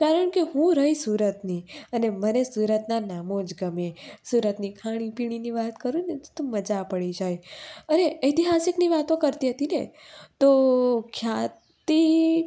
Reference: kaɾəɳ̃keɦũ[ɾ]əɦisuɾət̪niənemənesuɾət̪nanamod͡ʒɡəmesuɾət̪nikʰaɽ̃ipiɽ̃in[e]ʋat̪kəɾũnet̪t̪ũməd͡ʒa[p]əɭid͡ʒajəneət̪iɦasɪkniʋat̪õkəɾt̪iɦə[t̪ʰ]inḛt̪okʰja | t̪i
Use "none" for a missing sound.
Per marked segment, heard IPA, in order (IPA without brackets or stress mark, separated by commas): ɾ, i, p, t̪